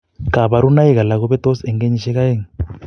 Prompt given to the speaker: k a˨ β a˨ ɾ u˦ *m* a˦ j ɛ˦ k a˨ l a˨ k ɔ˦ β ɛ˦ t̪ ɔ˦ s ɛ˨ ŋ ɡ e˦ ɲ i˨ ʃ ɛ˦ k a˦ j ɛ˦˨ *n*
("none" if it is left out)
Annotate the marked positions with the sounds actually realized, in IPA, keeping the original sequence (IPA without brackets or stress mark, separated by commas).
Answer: n, ŋ